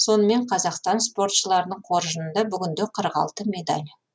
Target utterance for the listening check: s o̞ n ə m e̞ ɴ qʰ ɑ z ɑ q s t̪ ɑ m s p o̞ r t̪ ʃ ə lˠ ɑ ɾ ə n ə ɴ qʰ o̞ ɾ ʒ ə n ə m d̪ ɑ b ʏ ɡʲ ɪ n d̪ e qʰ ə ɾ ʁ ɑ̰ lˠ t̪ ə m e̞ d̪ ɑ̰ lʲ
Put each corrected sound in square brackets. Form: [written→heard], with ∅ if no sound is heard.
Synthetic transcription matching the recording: s o̞ n ə m e̞ ɴ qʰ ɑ z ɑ q s t̪ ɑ [m→n] s p o̞ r t̪ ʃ ə lˠ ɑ ɾ ə n ə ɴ qʰ o̞ ɾ ʒ ə n ə [m→n] d̪ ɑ b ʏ ɡʲ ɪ n d̪ e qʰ ə ɾ ʁ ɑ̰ lˠ t̪ ə m e̞ d̪ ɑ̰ lʲ